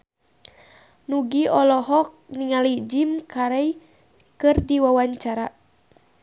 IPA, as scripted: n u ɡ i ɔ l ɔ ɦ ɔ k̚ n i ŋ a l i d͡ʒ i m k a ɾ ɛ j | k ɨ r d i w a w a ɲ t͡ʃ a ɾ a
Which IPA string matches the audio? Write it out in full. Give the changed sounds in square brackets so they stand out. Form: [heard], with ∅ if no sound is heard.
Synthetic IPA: n u ɡ i ɔ l ɔ ɦ ɔ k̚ n i ŋ a l i d͡ʒ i m k a ɾ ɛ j | k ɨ r d i w a w a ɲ t͡ʃ a ɾ a